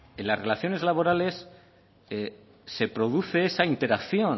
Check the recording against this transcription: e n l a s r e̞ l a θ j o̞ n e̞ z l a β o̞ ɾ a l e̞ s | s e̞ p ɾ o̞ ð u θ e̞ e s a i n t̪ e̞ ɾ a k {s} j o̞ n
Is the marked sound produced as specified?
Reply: no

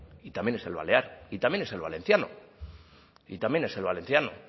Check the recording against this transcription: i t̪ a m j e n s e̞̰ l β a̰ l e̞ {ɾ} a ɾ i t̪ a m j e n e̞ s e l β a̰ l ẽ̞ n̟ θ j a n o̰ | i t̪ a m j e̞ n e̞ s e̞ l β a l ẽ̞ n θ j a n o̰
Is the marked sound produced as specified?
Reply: no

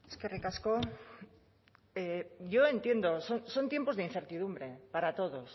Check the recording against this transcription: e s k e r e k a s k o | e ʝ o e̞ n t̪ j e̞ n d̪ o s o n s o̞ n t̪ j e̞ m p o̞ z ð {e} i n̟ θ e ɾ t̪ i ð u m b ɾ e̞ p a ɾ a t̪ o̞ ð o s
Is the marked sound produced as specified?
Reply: yes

